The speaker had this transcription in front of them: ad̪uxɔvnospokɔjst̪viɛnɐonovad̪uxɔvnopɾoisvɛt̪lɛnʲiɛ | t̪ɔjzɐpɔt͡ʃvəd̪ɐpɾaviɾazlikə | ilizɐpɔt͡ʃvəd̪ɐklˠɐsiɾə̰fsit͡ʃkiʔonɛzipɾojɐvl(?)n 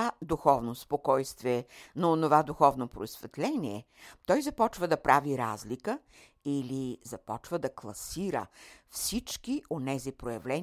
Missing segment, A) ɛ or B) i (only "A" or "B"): A